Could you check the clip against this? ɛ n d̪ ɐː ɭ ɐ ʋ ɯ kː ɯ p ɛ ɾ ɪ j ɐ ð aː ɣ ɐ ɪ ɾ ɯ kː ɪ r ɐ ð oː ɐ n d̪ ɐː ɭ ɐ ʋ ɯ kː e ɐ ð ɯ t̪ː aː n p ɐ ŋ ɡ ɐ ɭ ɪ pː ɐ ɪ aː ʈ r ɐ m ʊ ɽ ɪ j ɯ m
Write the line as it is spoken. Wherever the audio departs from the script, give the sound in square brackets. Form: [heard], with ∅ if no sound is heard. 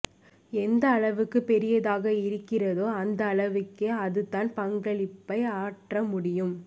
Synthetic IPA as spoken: ɛ n d̪ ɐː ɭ ɐ ʋ ɯ kː ɯ p ɛ ɾ ɪ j ɐ ð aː ɣ ɐ ɪ ɾ ɯ kː ɪ r ɐ ð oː ɐ n d̪ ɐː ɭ ɐ ʋ ɯ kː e ɐ ð ɯ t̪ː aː n p ɐ ŋ ɡ ɐ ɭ ɪ pː ɐ ɪ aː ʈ r ɐ m ʊ ɽ ɪ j ɯ m

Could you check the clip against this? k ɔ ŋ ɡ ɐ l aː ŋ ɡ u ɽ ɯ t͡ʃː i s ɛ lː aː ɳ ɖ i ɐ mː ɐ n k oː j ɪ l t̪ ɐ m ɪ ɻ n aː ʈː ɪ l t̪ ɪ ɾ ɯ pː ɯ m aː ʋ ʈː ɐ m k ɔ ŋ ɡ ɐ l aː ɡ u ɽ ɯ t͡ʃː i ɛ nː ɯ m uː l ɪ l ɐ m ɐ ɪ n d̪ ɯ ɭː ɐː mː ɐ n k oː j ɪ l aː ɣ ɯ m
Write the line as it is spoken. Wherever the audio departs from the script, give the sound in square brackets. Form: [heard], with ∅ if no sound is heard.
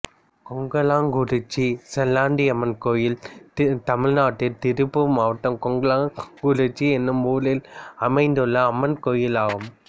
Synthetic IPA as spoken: k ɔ ŋ ɡ ɐ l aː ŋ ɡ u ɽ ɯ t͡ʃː i s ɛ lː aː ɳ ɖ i ɐ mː ɐ n k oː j ɪ l t̪ ɐ m ɪ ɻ n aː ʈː ɪ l t̪ ɪ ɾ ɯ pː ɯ m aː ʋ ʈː ɐ m k ɔ ŋ ɡ ɐ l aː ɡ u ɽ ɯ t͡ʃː i ɛ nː ɯ m uː l ɪ l ɐ m ɐ ɪ n d̪ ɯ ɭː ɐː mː ɐ n k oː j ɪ l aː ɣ ɯ m

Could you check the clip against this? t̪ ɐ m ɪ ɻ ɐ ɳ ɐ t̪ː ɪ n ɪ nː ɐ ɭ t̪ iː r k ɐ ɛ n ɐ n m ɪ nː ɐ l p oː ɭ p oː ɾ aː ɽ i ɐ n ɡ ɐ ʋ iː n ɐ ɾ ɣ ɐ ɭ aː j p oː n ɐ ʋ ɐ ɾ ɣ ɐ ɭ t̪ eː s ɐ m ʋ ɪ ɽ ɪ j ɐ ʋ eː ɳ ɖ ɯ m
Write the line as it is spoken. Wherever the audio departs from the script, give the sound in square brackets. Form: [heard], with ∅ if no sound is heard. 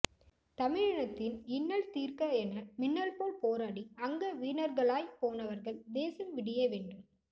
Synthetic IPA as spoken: t̪ ɐ m ɪ ɻ ɐ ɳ ɐ t̪ː ɪ n ɪ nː ɐ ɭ t̪ iː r k ɐ ɛ n ɐ [∅] m ɪ nː ɐ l p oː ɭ p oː ɾ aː ɽ i ɐ [ŋ] ɡ ɐ ʋ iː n ɐ ɾ ɣ ɐ ɭ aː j p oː n ɐ ʋ ɐ ɾ ɣ ɐ ɭ [d̪] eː s ɐ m ʋ ɪ ɽ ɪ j ɐ ʋ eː ɳ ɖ ɯ m

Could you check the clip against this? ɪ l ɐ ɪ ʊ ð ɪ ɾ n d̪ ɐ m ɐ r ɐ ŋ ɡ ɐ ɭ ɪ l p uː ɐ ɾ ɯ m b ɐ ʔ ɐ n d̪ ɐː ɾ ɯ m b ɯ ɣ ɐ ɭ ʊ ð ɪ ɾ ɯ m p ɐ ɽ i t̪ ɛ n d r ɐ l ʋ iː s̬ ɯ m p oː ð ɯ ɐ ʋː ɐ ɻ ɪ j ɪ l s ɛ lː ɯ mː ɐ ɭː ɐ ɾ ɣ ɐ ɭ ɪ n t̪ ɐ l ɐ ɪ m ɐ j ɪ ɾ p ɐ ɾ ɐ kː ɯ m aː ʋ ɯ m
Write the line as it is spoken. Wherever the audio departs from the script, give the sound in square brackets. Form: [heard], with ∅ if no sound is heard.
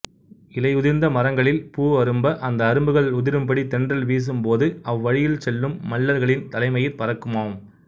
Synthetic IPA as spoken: ɪ l ɐ ɪ ʊ ð ɪ ɾ n d̪ ɐ m ɐ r ɐ ŋ ɡ ɐ ɭ ɪ l p uː ɐ ɾ ɯ m b ɐ ʔ ɐ n d̪ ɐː ɾ ɯ m b ɯ ɣ ɐ ɭ ʊ ð ɪ ɾ ɯ m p ɐ ɽ i t̪ ɛ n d r ɐ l ʋ iː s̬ ɯ m p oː ð ɯ ɐ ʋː ɐ ɻ ɪ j ɪ l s ɛ lː ɯ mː ɐ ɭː ɐ ɾ ɣ ɐ ɭ ɪ n t̪ ɐ l ɐ ɪ m ɐ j ɪ ɾ p ɐ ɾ ɐ kː ɯ m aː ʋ ɯ m

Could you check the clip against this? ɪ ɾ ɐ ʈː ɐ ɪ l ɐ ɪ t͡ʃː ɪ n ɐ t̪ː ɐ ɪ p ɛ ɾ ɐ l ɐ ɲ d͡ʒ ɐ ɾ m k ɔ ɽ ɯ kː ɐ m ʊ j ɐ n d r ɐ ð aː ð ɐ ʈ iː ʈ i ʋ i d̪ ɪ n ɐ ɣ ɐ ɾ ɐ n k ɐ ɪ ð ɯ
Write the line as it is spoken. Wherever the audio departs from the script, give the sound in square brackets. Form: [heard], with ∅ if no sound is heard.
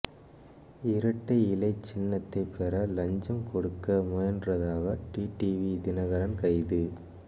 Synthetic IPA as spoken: ɪ ɾ ɐ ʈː ɐ ɪ l ɐ ɪ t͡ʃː ɪ [nː] ɐ t̪ː ɐ ɪ p ɛ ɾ ɐ l ɐ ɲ d͡ʒ ɐ [∅] m k ɔ ɽ ɯ kː ɐ m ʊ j ɐ n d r ɐ ð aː [ɣ] ɐ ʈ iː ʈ i ʋ i d̪ ɪ n ɐ ɣ ɐ ɾ ɐ n k ɐ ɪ ð ɯ

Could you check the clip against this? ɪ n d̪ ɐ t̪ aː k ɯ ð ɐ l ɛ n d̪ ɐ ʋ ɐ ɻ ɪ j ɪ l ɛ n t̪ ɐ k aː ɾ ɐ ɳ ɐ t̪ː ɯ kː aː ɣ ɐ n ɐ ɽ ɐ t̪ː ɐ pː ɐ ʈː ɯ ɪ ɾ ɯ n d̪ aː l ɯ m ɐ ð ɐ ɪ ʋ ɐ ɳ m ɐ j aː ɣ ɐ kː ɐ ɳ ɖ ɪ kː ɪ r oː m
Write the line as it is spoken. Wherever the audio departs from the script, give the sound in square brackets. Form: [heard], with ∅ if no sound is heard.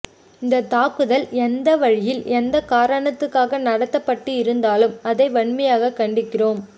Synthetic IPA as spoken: ɪ n d̪ ɐ t̪ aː k ɯ ð ɐ l ɛ n d̪ ɐ ʋ ɐ ɻ ɪ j ɪ l ɛ n [d̪] ɐ k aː ɾ ɐ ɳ ɐ t̪ː ɯ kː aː ɣ ɐ n ɐ ɽ ɐ t̪ː ɐ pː ɐ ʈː ɯ ɪ ɾ ɯ n d̪ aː l ɯ m ɐ ð ɐ ɪ ʋ ɐ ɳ m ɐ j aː ɣ ɐ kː ɐ ɳ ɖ ɪ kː ɪ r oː m

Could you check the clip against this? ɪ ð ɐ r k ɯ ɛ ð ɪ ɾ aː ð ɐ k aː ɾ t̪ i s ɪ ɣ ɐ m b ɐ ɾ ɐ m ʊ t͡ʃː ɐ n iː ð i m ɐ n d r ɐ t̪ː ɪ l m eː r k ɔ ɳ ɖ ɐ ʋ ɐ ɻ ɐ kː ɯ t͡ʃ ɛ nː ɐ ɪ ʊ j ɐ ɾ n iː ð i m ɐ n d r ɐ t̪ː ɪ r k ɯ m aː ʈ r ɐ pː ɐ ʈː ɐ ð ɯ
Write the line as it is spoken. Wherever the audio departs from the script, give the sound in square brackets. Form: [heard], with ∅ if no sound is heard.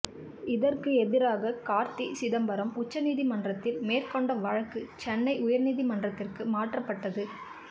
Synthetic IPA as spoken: ɪ ð ɐ r k ɯ ɛ ð ɪ ɾ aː [ɣ] ɐ k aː ɾ t̪ i s ɪ [ð] ɐ m b ɐ ɾ ɐ m ʊ t͡ʃː ɐ n iː ð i m ɐ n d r ɐ t̪ː ɪ l m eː r k ɔ ɳ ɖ ɐ ʋ ɐ ɻ ɐ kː ɯ t͡ʃ ɛ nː ɐ ɪ ʊ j ɐ ɾ n iː ð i m ɐ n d r ɐ t̪ː ɪ r k ɯ m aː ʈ r ɐ pː ɐ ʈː ɐ ð ɯ

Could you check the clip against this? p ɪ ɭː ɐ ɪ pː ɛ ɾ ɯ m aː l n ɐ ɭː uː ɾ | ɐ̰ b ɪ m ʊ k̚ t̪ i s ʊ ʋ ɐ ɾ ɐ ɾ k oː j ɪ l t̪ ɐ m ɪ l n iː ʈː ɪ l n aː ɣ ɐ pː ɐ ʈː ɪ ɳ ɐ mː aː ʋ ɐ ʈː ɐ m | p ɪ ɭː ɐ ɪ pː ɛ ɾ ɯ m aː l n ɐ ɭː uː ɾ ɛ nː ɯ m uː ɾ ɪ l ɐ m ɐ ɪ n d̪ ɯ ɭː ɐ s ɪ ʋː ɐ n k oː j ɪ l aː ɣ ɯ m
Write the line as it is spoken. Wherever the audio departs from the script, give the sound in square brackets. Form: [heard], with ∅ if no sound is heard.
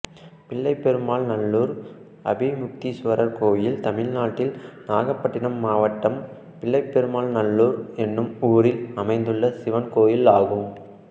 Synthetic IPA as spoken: p ɪ ɭː ɐ ɪ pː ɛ ɾ ɯ m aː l n ɐ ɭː uː ɾ | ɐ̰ b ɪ m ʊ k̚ t̪ i s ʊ ʋ ɐ ɾ ɐ ɾ k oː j ɪ l t̪ ɐ m ɪ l n [aː] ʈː ɪ l n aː ɣ ɐ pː ɐ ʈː ɪ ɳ ɐ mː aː ʋ ɐ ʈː ɐ m | p ɪ ɭː ɐ ɪ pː ɛ ɾ ɯ m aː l n ɐ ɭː uː ɾ ɛ nː ɯ m uː ɾ ɪ l ɐ m ɐ ɪ n d̪ ɯ ɭː ɐ s ɪ [ʋ] ɐ n k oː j ɪ l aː ɣ ɯ m

